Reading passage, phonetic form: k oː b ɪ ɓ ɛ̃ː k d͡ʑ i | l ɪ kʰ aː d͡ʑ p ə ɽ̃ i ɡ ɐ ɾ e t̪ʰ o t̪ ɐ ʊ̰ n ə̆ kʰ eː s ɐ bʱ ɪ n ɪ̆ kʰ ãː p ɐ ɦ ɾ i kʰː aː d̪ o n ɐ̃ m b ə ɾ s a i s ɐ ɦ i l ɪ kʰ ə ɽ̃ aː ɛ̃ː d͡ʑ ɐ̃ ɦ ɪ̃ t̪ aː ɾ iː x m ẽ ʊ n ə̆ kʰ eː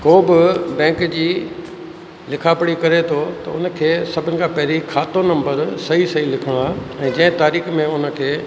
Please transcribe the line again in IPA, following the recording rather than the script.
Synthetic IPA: k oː b ɪ b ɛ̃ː k d͡ʑ iː | l ɪ kʰ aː p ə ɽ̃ i k ɐ ɾ e t̪ʰ o t̪ ɐ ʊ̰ n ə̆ kʰ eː s ɐ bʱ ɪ n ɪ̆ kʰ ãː p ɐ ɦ ɾ i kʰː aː t̪ o n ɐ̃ m b ə ɾ s ɐ i s ɐ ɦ i l ɪ kʰ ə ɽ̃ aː ɛ̃ː d͡ʑ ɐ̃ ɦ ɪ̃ t̪ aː ɾ iː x m ẽ ʊ n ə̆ kʰ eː